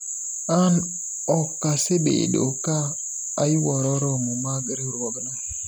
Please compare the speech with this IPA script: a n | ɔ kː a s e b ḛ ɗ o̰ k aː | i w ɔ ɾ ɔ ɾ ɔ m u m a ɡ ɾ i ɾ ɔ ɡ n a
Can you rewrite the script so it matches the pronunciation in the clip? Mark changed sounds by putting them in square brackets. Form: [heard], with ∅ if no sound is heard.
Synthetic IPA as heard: a n | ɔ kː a s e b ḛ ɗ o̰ k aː | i w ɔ ɾ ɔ ɾ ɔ m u m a ɡ ɾ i ɾ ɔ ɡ n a